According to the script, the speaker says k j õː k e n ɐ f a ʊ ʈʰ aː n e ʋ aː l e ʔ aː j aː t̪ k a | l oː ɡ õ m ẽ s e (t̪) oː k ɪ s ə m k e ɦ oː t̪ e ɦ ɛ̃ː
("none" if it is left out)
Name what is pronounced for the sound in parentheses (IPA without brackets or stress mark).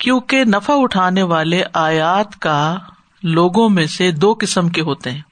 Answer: d̪